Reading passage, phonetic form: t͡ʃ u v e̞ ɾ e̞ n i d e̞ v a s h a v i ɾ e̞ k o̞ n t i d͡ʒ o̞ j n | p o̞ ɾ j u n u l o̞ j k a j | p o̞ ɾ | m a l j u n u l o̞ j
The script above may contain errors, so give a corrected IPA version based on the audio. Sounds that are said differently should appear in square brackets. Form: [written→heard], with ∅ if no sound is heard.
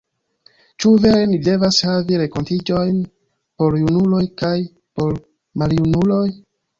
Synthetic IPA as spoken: t͡ʃ u v e̞ ɾ e̞ n i d e̞ v a s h a v i ɾ e̞ k o̞ n t i d͡ʒ o̞ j n | p o̞ ɾ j u n u l o̞ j k a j | p o̞ ɾ | m a l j u n u l o̞ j